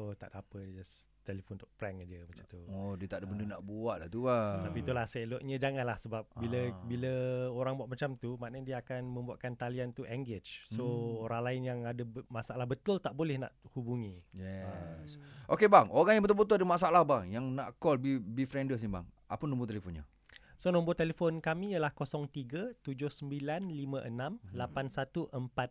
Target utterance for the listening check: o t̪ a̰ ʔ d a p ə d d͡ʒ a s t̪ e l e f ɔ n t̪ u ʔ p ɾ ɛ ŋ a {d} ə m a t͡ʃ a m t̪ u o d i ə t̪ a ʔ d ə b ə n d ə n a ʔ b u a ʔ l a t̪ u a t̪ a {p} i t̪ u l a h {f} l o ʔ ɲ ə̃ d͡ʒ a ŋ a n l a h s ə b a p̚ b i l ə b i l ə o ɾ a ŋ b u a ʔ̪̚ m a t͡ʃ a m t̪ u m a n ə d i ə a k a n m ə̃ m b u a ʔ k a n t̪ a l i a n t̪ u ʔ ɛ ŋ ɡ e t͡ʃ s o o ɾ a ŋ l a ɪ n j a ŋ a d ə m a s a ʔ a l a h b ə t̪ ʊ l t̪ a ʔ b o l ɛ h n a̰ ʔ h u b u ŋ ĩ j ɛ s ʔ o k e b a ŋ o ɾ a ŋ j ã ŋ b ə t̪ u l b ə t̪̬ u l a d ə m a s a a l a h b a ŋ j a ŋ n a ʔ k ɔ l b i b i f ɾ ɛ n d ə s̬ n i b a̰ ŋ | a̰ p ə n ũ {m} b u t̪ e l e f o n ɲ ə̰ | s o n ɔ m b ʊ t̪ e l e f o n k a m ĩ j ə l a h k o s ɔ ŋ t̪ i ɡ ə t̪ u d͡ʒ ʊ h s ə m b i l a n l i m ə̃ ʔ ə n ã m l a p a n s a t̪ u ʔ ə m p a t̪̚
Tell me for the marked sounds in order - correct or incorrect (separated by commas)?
incorrect, correct, incorrect, correct